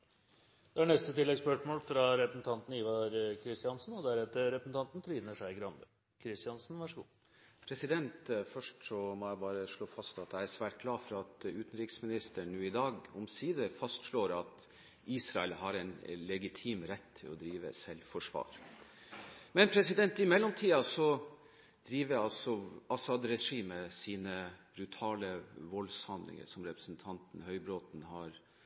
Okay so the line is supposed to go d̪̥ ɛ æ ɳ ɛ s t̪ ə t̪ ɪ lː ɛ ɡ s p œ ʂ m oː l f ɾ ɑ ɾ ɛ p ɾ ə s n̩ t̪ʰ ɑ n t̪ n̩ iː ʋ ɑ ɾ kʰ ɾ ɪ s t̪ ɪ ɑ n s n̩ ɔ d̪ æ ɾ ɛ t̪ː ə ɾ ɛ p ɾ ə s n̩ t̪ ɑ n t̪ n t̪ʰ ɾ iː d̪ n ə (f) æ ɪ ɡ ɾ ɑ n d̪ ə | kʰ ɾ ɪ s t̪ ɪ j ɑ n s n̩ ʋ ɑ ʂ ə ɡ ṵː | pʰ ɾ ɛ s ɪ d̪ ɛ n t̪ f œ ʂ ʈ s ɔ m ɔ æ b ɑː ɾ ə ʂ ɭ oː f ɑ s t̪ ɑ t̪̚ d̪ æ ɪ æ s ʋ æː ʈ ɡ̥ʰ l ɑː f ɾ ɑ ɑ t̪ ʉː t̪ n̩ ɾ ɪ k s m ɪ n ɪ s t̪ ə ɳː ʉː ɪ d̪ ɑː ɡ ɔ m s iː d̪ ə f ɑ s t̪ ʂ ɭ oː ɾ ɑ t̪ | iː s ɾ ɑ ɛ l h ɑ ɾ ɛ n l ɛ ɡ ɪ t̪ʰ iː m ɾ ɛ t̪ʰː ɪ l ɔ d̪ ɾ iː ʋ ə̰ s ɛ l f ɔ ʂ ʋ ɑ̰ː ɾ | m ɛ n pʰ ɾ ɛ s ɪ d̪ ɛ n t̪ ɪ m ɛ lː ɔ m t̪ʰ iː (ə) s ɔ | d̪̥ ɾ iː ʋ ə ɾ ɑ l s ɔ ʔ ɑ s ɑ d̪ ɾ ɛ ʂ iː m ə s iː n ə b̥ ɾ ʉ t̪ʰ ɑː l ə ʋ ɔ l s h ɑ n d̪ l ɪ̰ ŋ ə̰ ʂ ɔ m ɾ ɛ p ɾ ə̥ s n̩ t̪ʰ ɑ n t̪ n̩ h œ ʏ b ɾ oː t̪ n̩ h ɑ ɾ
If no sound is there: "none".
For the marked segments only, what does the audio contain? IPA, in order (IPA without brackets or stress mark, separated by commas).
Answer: ʂ, ɑ